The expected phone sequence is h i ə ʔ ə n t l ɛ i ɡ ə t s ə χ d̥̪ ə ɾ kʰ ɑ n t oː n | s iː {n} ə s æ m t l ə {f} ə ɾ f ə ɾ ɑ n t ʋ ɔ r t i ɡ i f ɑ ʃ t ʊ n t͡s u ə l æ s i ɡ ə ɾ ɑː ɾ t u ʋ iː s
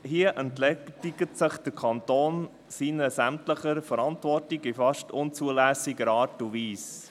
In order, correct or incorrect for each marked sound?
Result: correct, incorrect: χ

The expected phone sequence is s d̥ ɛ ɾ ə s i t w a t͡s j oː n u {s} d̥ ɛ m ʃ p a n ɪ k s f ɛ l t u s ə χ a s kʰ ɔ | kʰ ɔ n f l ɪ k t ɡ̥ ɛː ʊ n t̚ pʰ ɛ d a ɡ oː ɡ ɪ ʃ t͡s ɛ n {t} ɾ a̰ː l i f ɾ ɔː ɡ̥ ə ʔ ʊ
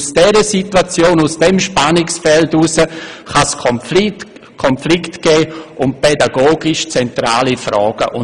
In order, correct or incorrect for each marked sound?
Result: correct, correct

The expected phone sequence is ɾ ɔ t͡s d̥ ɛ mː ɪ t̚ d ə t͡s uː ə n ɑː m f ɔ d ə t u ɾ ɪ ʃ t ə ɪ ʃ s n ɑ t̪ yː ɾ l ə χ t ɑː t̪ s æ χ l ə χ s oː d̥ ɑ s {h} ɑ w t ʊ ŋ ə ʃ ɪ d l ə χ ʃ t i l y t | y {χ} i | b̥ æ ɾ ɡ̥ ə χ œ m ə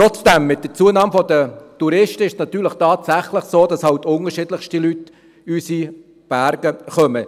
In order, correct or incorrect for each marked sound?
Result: correct, incorrect: s

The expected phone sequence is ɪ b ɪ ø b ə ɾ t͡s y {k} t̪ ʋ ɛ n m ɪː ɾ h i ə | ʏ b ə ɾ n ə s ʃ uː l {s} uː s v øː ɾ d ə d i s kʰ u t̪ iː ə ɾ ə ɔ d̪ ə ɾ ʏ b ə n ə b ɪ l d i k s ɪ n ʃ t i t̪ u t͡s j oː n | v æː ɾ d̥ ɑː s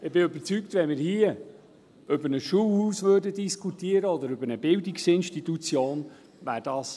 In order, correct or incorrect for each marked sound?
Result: correct, incorrect: h

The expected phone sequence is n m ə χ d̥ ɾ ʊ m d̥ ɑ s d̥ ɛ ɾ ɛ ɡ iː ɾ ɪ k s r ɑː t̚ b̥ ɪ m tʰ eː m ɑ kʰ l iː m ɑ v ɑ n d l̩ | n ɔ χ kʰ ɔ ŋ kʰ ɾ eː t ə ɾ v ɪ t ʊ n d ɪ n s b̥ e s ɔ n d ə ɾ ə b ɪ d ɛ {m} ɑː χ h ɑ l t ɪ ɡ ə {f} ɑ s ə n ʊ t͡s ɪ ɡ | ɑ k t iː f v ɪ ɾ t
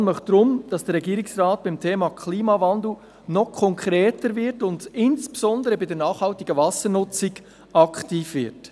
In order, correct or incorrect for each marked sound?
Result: incorrect: n, incorrect: v

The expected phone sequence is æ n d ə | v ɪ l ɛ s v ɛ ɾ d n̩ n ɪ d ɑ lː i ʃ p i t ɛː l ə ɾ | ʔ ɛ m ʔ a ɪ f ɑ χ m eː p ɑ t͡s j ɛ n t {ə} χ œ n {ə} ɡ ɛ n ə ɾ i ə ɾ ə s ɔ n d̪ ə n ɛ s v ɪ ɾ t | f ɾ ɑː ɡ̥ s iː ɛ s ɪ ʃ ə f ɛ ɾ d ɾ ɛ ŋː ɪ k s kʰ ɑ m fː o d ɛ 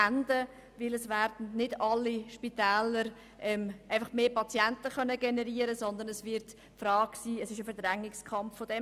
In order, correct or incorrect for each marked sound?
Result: correct, correct

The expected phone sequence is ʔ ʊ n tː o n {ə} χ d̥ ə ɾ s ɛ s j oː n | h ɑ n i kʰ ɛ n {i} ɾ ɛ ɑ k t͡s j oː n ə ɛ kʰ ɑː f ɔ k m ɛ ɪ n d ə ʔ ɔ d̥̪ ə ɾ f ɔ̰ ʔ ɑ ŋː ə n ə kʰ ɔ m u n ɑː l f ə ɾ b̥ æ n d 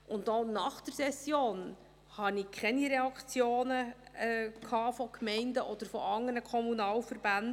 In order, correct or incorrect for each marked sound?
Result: incorrect: ɑ, correct

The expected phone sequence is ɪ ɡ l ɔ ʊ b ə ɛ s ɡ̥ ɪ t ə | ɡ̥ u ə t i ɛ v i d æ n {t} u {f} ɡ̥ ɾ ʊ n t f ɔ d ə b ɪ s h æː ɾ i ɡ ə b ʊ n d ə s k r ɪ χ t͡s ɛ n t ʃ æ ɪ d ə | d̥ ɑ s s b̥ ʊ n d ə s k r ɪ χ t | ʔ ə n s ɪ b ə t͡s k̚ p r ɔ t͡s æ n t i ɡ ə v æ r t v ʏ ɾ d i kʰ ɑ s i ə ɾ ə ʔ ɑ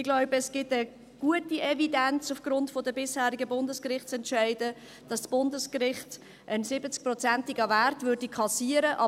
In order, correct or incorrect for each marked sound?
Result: incorrect: t͡s, correct

